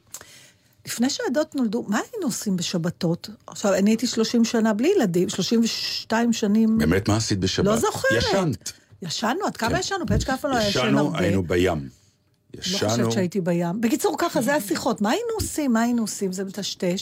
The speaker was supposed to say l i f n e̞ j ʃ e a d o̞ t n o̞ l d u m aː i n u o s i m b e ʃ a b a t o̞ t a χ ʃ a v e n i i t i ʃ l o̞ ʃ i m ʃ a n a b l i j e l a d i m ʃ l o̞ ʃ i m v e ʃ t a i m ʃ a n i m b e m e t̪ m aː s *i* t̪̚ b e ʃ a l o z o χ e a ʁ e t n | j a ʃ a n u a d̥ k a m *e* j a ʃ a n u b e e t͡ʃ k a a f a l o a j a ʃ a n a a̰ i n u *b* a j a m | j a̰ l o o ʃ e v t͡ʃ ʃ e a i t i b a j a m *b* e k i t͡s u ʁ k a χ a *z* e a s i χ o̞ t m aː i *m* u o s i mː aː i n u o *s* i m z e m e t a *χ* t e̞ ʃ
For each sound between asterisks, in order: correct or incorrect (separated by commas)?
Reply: correct, incorrect, correct, correct, correct, incorrect, correct, incorrect